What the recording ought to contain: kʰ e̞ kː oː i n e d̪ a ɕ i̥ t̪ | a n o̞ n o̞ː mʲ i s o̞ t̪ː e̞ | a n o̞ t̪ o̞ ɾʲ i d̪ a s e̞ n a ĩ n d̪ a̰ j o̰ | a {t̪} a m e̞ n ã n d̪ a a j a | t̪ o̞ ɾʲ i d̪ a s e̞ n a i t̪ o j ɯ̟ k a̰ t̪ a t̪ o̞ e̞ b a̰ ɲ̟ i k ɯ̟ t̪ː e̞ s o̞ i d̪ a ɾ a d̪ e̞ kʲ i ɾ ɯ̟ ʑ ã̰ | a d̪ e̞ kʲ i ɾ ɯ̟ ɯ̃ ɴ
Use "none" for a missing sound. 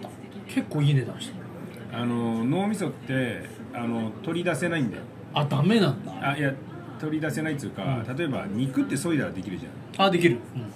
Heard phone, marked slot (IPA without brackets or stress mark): d̪